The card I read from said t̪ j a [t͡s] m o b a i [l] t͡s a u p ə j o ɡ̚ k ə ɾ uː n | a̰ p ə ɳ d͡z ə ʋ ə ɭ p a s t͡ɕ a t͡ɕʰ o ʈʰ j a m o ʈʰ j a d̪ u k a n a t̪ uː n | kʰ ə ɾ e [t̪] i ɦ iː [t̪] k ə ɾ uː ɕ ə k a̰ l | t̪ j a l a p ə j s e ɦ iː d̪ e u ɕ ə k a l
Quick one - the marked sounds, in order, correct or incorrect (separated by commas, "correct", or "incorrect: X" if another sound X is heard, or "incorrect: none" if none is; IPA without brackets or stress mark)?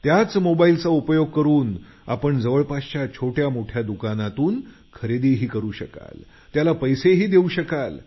correct, correct, incorrect: d̪, incorrect: none